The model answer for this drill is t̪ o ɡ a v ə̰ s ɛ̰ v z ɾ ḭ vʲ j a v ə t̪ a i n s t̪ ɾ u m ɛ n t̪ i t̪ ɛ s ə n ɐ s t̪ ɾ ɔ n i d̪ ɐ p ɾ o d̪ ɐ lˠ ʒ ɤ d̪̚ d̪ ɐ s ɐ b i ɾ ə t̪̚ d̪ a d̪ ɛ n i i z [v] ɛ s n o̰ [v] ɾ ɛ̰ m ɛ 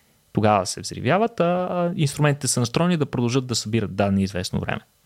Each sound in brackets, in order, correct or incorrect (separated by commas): correct, correct